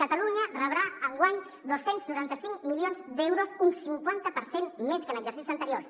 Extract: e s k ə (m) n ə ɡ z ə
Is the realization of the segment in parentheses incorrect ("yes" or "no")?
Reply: yes